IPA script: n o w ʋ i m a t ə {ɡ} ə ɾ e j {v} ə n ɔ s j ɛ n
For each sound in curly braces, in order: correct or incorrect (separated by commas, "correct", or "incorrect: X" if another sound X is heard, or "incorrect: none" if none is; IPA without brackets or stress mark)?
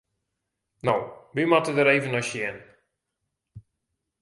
incorrect: d, correct